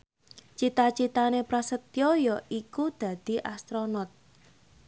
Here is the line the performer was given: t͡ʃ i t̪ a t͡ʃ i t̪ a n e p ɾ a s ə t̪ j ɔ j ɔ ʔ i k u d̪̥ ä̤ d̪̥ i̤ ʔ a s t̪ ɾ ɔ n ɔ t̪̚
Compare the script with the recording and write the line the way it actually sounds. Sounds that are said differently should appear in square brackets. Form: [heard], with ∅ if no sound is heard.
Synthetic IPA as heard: t͡ʃ i t̪ a t͡ʃ i t̪ a n e p ɾ a s ə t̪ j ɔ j ɔ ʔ i k u d̪̥ ä̤ d̪̥ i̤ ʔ a s t̪ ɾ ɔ n ɔ t̪̚